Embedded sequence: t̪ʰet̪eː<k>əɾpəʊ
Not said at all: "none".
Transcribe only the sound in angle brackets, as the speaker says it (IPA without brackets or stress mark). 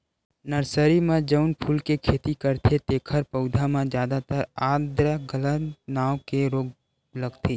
kʰ